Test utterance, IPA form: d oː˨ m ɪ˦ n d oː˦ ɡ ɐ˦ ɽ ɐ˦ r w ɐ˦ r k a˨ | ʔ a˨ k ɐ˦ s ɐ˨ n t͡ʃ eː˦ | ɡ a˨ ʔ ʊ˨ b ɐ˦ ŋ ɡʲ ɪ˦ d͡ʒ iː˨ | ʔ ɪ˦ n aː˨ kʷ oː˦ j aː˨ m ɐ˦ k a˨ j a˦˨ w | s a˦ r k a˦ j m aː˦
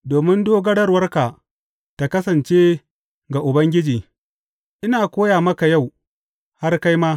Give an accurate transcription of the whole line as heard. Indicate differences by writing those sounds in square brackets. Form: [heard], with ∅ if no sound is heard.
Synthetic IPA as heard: d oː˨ m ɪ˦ n d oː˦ ɡ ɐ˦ ɽ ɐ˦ r w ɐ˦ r k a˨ | [t] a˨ k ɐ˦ s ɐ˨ n t͡ʃ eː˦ | ɡ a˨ ʔ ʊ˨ b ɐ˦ ŋ ɡʲ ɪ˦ d͡ʒ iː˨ | ʔ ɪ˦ n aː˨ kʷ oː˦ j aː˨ m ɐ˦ k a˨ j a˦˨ w | [h] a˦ r k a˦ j m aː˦